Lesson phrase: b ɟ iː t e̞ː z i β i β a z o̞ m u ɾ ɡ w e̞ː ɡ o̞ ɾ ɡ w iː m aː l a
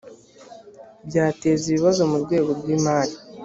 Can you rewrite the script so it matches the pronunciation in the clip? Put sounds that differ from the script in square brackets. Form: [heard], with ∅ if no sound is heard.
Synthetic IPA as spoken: b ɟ [aː] t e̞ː z i β i β a z o̞ m u ɾ ɡ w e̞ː ɡ o̞ ɾ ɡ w iː m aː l [i]